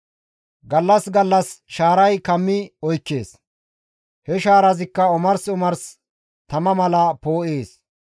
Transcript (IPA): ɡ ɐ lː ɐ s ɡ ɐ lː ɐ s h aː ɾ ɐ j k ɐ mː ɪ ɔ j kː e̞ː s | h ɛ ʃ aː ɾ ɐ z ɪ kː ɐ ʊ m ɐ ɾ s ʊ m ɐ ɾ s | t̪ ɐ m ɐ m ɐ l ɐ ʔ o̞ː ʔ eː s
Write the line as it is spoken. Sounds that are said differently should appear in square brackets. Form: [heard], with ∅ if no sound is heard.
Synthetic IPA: ɡ ɐ lː ɐ s ɡ ɐ lː ɐ s [ʃ] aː ɾ ɐ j k ɐ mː ɪ ɔ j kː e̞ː s | h ɛ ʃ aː ɾ ɐ z ɪ kː ɐ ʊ m ɐ ɾ s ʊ m ɐ ɾ s | t̪ ɐ m ɐ m ɐ l ɐ [p] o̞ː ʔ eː s